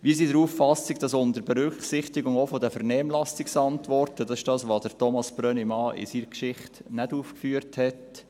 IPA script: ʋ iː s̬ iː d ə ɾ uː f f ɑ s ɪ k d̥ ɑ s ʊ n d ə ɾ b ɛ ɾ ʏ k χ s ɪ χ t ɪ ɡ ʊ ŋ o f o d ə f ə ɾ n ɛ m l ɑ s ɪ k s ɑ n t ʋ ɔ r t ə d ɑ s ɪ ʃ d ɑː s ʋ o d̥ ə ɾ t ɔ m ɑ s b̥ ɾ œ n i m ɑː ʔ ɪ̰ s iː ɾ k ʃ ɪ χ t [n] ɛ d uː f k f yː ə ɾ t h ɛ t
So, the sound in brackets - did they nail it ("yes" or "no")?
yes